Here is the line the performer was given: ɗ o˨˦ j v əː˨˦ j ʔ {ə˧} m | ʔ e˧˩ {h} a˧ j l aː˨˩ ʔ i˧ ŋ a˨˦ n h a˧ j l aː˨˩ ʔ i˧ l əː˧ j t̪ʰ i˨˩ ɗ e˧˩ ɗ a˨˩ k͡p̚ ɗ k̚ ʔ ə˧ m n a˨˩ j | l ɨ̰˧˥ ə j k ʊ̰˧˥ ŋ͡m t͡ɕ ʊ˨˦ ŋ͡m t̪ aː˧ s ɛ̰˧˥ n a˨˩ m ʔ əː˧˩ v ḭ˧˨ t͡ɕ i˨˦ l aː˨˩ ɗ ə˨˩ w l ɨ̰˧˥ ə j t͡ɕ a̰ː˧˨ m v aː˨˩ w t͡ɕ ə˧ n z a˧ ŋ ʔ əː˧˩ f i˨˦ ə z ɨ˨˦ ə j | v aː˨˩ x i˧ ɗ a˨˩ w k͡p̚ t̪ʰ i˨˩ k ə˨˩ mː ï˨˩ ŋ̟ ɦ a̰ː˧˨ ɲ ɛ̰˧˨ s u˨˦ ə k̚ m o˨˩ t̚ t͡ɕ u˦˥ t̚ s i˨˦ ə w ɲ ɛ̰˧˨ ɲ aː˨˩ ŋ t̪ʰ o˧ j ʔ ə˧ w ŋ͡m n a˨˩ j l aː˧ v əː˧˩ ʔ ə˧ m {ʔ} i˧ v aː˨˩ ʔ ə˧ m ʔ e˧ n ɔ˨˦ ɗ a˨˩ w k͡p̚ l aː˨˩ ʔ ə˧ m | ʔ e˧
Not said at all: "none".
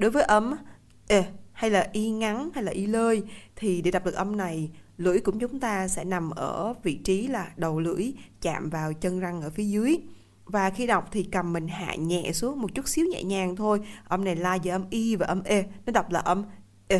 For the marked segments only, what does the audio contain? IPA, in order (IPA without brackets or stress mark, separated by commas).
ə˧, h, ʔ